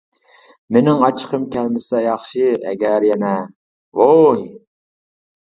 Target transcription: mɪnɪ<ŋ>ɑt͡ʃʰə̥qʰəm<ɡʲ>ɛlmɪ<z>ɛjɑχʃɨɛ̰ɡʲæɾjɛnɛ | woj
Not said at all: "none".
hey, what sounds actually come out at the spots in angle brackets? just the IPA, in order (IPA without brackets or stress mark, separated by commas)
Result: ŋ, kʲ, s